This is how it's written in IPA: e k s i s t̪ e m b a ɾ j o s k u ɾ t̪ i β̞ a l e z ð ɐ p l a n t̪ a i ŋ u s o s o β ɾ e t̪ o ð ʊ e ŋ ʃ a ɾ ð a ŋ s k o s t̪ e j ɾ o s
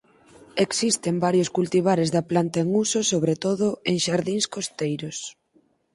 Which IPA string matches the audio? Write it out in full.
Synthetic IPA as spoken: e k s i s t̪ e m b a ɾ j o s k u l t̪ i β̞ a ɾ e z ð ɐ p l a n t̪ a e ŋ u s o s o β ɾ e t̪ o ð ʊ e ŋ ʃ a ɾ ð i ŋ s k o s t̪ e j ɾ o s